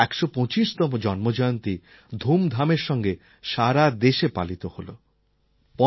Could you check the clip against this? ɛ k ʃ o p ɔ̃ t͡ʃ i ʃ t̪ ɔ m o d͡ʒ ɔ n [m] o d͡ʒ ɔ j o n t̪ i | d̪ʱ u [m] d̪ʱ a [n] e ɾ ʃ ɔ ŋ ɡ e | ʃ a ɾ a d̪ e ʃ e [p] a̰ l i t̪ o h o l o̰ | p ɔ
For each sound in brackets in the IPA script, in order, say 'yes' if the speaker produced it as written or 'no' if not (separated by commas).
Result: yes, yes, no, yes